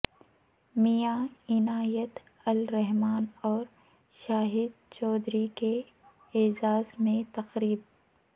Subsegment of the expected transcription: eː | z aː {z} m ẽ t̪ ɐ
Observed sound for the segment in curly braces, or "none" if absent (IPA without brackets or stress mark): z